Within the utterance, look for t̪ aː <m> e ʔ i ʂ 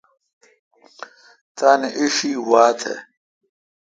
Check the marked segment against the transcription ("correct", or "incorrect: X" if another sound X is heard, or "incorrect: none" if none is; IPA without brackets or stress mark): incorrect: n